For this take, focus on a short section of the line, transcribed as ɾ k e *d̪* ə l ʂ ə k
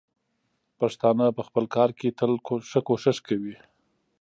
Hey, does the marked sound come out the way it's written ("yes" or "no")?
no